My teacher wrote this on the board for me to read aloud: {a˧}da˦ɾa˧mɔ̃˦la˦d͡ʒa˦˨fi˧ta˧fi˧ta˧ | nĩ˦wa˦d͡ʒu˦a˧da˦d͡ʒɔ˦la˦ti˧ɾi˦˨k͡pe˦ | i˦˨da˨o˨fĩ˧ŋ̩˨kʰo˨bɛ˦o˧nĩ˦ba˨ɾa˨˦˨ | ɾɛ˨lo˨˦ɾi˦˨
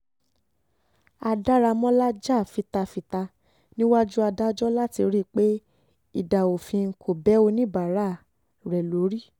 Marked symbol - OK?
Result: yes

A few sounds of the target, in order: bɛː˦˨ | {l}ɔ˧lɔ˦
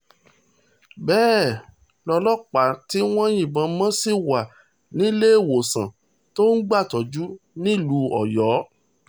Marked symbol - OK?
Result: yes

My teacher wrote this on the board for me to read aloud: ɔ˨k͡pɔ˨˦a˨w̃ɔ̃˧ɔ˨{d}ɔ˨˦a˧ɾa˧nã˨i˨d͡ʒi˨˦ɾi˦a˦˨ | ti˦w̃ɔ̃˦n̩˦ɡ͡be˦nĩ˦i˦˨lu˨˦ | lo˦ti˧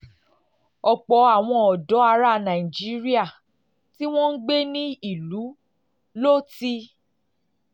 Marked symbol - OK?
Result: yes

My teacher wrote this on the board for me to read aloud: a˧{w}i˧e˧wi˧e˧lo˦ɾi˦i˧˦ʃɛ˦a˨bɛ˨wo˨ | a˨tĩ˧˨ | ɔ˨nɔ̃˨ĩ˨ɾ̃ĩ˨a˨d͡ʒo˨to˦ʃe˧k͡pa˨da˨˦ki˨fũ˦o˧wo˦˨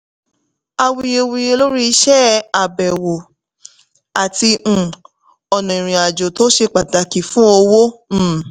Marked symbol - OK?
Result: yes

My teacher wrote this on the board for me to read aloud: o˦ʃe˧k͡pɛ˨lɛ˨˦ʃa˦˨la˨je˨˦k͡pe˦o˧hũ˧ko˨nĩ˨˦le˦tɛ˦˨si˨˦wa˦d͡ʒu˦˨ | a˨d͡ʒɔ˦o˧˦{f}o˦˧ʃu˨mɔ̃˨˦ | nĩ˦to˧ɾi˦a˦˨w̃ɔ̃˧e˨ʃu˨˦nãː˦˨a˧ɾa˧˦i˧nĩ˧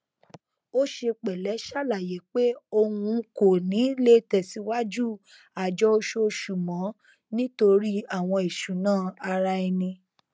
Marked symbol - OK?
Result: no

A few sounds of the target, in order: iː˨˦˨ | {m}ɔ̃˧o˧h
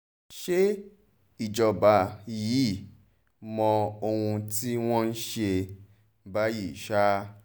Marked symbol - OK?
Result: yes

